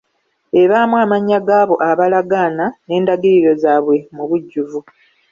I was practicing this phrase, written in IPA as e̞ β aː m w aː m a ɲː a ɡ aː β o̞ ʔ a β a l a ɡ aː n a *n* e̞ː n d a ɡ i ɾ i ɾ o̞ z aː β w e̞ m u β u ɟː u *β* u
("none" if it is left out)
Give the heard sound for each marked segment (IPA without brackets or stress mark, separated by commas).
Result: n, v